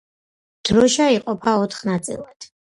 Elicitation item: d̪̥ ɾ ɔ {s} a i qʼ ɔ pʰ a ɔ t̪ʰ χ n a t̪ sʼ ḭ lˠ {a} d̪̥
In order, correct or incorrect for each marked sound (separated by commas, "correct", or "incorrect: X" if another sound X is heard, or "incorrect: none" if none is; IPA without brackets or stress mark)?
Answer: incorrect: ʃ, correct